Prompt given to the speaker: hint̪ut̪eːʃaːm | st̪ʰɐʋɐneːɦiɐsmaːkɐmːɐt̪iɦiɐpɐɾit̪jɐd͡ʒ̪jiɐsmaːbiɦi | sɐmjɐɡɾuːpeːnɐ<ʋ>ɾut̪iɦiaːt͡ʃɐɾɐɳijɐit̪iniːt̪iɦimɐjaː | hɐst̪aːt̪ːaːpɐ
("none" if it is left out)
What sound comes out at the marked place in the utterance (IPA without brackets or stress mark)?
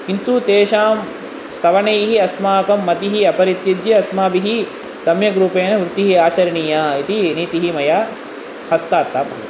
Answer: ʋ